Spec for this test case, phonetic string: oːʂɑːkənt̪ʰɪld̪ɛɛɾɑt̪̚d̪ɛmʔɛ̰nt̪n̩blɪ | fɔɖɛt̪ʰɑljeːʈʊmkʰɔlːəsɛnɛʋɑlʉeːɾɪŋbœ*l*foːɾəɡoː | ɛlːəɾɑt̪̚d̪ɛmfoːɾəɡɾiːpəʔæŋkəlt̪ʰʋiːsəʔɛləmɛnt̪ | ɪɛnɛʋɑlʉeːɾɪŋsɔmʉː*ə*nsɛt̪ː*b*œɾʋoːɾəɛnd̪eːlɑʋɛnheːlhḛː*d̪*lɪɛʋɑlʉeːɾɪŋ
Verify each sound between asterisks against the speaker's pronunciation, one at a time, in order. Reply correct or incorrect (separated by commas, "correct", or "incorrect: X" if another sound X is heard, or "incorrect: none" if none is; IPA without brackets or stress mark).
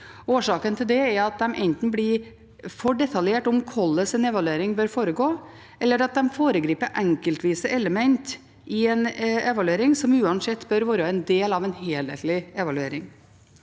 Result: incorrect: ɾ, incorrect: ɑ, correct, incorrect: t̪